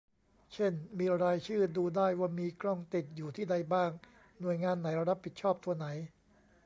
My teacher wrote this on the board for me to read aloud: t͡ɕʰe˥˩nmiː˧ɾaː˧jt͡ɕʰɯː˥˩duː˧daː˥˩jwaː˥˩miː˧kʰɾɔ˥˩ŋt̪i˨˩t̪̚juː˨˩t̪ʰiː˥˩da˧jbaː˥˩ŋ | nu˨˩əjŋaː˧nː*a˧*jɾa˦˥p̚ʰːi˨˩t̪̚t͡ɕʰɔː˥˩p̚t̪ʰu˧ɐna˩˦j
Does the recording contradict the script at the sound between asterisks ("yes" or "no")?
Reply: yes